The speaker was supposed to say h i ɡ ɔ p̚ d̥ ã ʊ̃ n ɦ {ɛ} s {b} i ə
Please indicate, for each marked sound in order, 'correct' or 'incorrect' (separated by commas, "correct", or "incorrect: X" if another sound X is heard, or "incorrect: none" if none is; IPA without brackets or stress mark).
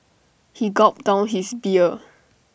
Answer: incorrect: i, correct